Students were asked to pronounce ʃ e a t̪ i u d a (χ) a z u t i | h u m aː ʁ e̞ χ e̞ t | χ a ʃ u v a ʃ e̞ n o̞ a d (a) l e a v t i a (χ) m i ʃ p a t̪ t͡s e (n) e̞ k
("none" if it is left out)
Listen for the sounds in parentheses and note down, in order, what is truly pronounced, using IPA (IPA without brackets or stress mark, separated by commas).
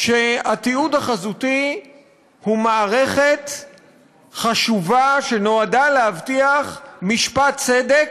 χ, a, χ, d